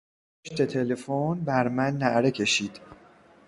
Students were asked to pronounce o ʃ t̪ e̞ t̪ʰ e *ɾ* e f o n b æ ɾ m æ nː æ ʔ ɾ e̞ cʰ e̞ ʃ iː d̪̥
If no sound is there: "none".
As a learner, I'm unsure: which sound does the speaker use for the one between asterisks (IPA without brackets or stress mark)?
l